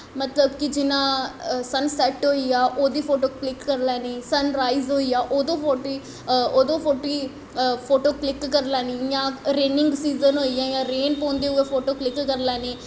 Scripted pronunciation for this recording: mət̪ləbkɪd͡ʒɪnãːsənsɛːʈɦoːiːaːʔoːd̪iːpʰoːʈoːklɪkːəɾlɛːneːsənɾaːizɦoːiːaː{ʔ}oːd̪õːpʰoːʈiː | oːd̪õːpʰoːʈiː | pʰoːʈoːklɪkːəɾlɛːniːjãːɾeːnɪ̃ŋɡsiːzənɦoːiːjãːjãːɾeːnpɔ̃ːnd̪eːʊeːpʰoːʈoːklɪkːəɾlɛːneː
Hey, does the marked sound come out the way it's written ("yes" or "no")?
yes